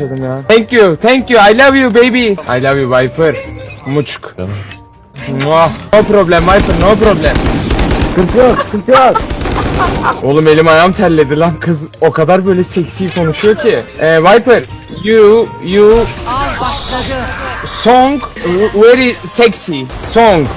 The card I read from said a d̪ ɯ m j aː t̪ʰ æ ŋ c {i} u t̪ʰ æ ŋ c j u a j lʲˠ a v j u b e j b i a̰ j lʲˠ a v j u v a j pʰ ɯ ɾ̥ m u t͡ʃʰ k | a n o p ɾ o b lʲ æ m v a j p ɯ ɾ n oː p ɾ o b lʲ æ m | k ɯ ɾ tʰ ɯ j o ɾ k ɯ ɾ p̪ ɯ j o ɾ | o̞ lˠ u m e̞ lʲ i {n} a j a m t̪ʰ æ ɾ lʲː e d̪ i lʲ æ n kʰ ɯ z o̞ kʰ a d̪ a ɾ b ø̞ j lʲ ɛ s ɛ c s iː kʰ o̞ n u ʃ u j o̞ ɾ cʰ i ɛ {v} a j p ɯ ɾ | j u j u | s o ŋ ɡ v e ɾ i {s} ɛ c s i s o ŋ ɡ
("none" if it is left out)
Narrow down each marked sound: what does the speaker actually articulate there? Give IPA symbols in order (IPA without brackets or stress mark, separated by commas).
j, m, v, s